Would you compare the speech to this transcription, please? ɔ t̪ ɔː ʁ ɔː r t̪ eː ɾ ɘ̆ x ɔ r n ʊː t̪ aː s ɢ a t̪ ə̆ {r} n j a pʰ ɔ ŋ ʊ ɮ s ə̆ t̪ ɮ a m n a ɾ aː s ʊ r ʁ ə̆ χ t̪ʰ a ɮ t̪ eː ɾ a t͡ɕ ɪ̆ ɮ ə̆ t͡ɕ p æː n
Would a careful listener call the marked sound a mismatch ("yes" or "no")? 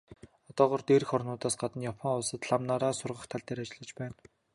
yes